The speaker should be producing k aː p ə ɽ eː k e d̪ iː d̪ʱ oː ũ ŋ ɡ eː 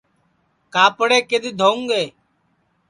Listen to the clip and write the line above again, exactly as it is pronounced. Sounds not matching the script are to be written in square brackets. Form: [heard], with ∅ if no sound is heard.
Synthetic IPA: k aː p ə ɽ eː k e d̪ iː d̪ʱ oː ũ ŋ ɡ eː

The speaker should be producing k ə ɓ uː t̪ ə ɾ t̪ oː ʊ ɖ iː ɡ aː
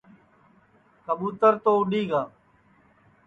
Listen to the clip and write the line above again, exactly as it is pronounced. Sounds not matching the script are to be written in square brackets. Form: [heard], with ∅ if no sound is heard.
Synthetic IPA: k ə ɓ uː t̪ ə ɾ t̪ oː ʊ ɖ iː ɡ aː

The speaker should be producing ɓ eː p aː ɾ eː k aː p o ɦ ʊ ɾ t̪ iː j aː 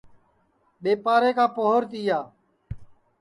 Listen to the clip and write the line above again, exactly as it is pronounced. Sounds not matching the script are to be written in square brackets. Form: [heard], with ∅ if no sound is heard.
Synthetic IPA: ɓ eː p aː ɾ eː k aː p o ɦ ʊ ɾ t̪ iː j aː

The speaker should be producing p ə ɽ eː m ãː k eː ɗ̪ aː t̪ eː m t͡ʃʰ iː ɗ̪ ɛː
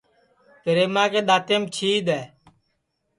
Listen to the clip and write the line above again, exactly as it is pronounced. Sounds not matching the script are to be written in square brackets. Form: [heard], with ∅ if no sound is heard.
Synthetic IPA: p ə [ɾ] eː m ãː k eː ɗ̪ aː t̪ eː m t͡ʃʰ iː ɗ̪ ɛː

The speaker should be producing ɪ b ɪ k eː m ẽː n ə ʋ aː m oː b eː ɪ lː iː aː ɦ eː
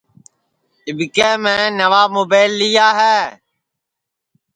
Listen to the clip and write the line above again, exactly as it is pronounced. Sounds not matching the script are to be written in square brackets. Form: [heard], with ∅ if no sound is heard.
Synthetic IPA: ɪ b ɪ k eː m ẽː n ə ʋ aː m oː b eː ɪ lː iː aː ɦ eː

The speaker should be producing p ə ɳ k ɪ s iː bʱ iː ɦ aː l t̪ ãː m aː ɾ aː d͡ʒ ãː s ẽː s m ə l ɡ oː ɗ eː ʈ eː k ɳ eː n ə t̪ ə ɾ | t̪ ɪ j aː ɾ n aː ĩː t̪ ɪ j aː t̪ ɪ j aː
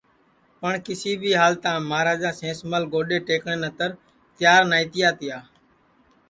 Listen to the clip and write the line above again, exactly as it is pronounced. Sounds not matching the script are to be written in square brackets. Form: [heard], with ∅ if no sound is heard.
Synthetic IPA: p ə ɳ k ɪ s iː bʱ iː ɦ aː l t̪ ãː m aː ɾ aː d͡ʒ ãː s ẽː s m ə l ɡ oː ɗ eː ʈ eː k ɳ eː n ə t̪ ə ɾ | t̪ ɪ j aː ɾ n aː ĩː t̪ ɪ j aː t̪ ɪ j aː

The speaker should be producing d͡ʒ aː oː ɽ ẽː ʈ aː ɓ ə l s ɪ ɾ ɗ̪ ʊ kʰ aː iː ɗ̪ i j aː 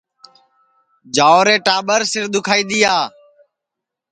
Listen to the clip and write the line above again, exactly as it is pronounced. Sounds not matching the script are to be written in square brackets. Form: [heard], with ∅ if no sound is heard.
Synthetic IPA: d͡ʒ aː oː [ɾ] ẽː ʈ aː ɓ ə [ɾ] s ɪ ɾ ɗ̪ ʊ kʰ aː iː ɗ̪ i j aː

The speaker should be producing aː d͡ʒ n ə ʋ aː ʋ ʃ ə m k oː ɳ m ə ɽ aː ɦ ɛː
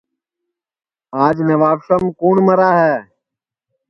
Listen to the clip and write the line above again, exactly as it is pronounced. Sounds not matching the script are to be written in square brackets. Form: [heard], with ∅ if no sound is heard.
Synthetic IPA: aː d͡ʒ n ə ʋ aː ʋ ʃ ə m k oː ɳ m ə [ɾ] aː ɦ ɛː

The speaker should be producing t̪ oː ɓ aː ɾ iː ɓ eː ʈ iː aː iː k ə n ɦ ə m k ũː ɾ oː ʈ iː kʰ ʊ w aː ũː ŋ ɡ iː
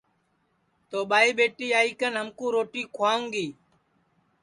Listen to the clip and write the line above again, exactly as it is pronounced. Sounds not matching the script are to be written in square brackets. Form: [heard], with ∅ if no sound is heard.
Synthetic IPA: t̪ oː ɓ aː [∅] iː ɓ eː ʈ iː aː iː k ə n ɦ ə m k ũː ɾ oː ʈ iː kʰ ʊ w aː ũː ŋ ɡ iː

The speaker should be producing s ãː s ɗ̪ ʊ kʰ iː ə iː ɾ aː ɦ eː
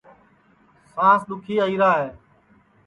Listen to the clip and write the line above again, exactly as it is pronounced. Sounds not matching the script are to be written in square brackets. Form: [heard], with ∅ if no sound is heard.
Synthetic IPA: s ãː s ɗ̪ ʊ kʰ iː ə iː ɾ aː ɦ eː

